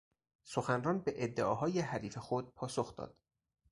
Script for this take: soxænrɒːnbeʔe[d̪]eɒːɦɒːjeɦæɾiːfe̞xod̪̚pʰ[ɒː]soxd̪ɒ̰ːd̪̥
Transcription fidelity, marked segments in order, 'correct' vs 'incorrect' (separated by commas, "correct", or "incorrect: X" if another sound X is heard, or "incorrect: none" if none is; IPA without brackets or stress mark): incorrect: d̪ː, correct